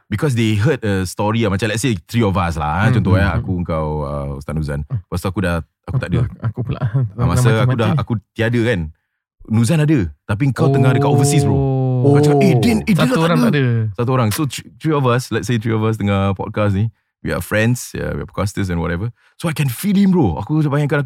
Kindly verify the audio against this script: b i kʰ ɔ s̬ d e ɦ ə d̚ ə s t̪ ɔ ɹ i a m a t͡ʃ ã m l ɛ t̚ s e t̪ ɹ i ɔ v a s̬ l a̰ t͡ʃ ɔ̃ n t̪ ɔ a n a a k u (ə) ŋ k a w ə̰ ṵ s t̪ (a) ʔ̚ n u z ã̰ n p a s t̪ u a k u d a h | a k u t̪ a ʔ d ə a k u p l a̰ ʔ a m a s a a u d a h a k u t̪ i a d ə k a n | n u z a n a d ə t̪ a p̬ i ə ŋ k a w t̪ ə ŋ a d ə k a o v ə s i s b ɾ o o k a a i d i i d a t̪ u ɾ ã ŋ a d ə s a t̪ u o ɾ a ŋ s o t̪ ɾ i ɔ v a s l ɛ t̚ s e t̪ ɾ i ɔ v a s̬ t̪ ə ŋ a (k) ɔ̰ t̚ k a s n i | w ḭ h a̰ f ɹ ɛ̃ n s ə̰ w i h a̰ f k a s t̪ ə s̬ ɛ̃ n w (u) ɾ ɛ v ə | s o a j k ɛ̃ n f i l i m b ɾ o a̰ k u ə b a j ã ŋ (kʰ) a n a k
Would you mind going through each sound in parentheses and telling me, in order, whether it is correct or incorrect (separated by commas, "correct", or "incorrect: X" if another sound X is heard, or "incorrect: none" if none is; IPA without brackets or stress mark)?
correct, correct, incorrect: p, incorrect: ɔ, incorrect: k